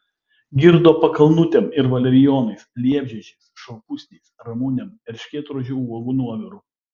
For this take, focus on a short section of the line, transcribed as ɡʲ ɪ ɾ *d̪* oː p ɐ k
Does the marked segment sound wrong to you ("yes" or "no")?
no